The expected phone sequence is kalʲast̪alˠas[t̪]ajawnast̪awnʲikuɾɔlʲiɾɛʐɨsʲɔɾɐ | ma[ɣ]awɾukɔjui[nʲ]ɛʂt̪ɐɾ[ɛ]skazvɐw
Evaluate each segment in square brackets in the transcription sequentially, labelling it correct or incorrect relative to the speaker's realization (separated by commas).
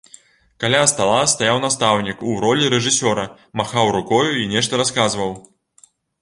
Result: correct, incorrect, correct, incorrect